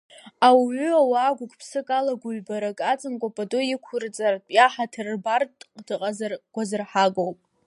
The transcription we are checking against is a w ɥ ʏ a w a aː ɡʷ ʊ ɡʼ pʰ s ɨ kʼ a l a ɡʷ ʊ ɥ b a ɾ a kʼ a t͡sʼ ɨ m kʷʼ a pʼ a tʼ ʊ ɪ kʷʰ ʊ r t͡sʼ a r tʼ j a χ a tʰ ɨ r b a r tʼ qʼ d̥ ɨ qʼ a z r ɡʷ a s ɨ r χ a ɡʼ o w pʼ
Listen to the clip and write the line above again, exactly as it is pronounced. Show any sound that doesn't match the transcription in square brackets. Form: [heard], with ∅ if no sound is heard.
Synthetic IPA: a w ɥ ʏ a w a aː ɡʷ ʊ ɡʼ pʰ s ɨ kʼ a l a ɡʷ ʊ ɥ b a ɾ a kʼ a t͡sʼ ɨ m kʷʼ a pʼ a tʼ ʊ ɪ kʷʰ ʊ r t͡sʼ a r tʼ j a [ħ] a tʰ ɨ r b a r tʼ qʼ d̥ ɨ qʼ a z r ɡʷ a [z] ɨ r [ħ] a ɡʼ o w pʼ